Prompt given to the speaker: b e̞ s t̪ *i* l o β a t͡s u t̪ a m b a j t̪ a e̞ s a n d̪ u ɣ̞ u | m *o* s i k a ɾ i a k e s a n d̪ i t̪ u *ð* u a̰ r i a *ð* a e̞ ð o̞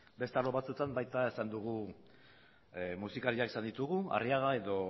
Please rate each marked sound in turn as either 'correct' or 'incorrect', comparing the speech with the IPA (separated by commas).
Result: incorrect, incorrect, incorrect, incorrect